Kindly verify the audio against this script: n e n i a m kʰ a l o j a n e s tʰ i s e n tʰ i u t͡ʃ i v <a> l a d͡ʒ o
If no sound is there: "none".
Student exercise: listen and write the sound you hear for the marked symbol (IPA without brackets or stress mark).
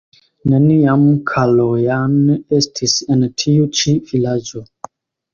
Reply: i